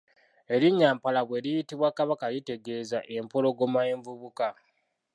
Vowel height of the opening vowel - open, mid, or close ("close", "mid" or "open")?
mid